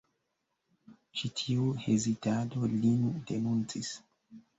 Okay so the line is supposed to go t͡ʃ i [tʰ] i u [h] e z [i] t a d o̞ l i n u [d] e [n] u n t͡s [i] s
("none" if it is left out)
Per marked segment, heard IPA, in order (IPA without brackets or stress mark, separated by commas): tʰ, h, i, d, n, i